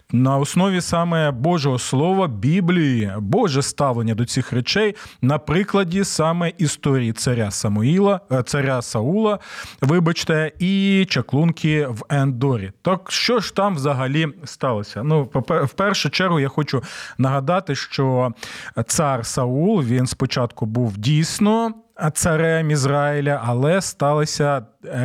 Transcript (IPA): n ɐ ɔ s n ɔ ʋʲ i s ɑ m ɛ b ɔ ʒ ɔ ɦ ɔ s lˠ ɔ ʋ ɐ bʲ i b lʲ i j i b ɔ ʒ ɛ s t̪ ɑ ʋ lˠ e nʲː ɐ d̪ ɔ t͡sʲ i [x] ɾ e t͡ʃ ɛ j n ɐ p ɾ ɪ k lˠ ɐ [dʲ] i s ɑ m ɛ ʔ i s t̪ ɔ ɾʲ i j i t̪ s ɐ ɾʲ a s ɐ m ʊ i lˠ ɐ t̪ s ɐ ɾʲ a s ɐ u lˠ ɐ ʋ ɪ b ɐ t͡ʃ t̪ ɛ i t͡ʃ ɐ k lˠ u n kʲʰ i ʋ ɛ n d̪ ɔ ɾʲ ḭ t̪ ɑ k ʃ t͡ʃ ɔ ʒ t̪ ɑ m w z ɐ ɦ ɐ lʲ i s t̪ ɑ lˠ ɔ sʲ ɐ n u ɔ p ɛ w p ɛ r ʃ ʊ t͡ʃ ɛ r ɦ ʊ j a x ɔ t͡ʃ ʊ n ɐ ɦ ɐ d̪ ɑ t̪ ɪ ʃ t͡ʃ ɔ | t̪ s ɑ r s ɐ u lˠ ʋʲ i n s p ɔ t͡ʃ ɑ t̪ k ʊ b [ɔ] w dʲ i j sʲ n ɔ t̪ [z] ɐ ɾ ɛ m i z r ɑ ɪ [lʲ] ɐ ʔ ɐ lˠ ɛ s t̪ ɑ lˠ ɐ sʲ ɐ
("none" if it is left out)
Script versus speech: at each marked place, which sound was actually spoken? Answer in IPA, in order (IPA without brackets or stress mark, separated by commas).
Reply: x, dʲ, u, s, lʲ